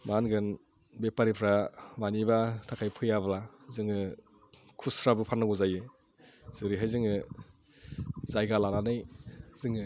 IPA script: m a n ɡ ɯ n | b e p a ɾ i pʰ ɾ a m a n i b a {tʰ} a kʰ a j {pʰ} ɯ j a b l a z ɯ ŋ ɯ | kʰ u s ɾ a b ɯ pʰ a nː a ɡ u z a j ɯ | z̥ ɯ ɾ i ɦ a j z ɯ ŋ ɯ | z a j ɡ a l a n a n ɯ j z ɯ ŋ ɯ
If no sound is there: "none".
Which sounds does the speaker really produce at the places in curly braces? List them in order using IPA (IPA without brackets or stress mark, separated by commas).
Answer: tʰ, pʰ